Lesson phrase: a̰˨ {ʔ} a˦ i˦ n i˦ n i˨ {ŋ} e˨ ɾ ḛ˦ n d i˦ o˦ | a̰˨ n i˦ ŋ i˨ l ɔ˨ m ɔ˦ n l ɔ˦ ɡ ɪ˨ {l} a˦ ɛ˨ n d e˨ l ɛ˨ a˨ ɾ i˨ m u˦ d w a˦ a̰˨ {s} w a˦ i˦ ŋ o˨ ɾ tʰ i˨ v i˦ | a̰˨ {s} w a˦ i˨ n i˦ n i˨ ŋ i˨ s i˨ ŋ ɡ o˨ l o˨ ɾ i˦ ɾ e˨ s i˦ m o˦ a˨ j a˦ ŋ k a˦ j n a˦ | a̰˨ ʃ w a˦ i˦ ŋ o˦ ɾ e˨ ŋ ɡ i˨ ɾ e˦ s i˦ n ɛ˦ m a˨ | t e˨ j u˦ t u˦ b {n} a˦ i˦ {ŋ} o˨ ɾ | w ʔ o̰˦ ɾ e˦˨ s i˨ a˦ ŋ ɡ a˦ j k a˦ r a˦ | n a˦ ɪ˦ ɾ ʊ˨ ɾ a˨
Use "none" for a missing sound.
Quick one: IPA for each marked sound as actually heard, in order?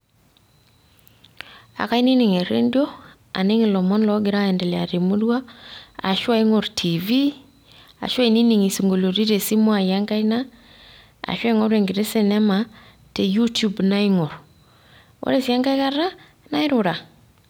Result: k, ŋ, ɾ, ʃ, ʃ, n, ŋ

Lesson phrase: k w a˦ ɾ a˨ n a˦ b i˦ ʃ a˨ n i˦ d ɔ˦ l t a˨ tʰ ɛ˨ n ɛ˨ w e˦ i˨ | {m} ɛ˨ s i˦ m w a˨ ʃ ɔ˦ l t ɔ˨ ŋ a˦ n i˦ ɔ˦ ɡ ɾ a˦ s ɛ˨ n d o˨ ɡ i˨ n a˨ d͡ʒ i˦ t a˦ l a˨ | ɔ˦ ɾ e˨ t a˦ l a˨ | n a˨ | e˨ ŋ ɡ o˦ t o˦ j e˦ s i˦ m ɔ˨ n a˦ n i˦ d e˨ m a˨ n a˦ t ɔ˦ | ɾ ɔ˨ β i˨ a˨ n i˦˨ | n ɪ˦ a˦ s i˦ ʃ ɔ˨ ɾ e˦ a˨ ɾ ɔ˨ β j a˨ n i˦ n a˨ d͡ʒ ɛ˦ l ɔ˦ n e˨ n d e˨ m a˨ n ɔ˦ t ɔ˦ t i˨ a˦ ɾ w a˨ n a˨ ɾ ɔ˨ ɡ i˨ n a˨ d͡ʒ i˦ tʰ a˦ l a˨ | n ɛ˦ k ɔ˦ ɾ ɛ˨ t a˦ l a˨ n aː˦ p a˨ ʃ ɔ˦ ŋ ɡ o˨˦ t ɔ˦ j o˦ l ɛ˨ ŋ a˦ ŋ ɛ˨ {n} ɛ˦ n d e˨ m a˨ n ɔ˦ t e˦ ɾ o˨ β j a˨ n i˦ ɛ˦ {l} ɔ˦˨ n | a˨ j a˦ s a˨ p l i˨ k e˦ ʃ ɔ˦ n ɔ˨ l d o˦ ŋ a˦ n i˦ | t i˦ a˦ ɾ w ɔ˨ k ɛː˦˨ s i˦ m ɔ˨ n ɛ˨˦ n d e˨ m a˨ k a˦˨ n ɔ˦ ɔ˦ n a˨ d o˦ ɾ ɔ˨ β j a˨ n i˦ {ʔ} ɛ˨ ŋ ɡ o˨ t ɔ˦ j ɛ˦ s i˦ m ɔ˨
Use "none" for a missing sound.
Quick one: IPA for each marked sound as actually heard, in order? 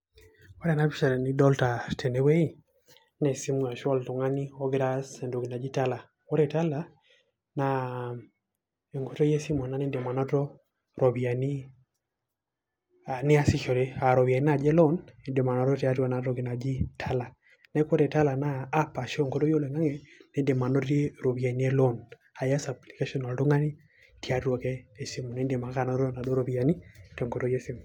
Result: n, n, l, t

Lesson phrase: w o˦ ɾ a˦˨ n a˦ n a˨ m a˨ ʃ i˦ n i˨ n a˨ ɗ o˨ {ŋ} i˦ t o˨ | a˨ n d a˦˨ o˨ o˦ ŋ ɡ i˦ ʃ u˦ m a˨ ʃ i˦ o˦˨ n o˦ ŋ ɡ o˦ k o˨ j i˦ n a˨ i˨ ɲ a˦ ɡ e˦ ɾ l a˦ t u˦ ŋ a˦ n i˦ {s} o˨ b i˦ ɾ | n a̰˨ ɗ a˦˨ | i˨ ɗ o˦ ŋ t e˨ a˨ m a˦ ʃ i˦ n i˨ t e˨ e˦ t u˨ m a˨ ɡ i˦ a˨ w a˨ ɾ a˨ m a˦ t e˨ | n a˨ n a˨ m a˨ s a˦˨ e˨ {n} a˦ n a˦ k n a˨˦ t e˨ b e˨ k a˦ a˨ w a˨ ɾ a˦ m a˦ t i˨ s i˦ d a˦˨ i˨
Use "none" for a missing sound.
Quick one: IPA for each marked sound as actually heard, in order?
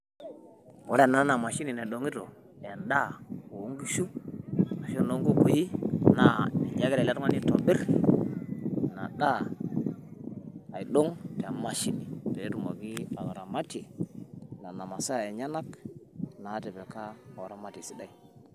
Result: ŋ, t, ɲ

